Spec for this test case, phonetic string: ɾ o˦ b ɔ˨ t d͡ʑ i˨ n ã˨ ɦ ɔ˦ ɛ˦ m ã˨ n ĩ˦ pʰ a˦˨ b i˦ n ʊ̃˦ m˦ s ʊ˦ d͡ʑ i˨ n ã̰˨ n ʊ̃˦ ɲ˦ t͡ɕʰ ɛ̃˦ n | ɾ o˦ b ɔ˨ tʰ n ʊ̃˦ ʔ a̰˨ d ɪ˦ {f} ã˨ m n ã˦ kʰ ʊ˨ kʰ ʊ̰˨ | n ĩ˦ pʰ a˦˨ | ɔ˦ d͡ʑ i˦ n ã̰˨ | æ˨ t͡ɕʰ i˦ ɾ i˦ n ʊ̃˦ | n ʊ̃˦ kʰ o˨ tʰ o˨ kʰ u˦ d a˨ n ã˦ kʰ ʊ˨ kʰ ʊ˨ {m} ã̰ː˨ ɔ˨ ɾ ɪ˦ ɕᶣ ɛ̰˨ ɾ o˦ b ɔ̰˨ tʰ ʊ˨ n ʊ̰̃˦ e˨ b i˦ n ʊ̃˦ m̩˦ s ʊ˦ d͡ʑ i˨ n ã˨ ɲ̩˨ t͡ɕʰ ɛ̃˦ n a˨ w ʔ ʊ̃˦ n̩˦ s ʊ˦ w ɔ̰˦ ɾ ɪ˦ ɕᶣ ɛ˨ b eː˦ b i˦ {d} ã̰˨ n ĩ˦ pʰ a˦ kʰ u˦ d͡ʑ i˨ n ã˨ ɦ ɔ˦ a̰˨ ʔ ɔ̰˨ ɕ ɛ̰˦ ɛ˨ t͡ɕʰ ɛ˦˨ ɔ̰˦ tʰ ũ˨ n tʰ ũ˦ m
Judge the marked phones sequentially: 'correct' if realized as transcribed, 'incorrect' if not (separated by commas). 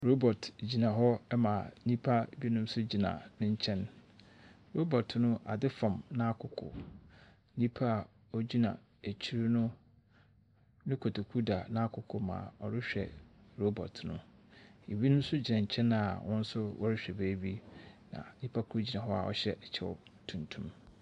correct, correct, incorrect